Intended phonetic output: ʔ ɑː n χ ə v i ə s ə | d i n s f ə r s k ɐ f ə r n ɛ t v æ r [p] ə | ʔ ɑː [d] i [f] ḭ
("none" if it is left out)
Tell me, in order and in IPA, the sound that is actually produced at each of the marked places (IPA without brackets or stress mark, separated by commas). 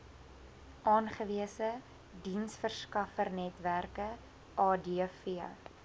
k, d, f